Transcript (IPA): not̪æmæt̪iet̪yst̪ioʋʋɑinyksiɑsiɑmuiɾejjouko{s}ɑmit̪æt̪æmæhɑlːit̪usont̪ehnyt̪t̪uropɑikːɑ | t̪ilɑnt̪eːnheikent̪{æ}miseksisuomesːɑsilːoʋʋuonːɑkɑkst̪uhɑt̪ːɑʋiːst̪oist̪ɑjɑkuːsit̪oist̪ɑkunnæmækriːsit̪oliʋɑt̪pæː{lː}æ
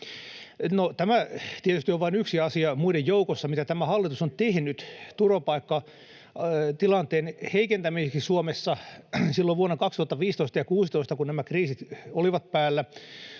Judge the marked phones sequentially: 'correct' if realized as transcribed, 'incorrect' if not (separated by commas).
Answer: incorrect, correct, correct